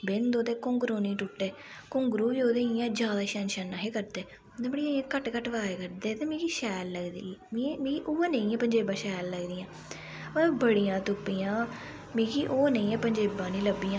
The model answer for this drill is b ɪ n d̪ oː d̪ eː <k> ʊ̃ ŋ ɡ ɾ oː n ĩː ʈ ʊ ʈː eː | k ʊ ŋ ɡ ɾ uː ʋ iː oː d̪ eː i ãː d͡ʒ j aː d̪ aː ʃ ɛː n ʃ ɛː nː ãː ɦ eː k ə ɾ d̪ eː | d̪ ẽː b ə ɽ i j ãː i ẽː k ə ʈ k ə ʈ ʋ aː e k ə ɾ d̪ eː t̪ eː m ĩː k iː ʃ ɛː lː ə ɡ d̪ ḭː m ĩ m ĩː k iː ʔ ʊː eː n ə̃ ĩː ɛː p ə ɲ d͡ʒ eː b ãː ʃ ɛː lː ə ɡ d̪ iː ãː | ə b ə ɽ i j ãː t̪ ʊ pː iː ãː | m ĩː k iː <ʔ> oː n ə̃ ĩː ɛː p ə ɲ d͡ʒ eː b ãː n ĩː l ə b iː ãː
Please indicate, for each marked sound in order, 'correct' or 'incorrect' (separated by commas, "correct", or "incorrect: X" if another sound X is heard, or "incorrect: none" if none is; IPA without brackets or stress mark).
correct, correct